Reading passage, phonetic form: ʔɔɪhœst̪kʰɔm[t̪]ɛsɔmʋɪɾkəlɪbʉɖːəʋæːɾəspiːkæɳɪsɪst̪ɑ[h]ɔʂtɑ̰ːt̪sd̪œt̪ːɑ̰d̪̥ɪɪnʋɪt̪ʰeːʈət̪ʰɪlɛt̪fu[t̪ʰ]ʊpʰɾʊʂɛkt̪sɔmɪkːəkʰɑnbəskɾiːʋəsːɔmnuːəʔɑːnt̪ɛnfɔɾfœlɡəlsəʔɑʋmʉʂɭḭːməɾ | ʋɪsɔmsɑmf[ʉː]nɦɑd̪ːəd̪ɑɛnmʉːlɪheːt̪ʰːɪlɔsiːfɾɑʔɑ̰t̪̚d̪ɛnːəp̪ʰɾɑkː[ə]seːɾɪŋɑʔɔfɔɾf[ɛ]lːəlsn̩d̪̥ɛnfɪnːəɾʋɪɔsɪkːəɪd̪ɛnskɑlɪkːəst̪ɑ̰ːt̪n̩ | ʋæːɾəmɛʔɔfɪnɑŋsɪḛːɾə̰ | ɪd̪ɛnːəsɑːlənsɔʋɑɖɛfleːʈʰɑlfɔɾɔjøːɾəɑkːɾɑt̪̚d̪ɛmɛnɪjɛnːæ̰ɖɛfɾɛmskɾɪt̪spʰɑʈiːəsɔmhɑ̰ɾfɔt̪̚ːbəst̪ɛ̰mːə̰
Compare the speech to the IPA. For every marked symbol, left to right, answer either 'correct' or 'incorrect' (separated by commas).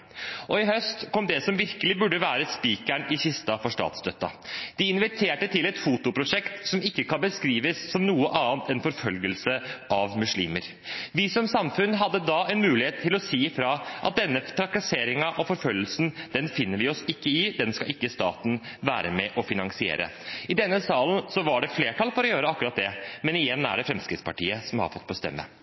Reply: incorrect, incorrect, incorrect, incorrect, incorrect, incorrect